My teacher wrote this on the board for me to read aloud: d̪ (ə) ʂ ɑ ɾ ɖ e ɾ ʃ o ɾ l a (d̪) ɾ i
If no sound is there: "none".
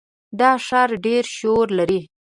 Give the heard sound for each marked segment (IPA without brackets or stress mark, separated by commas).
ɑ, none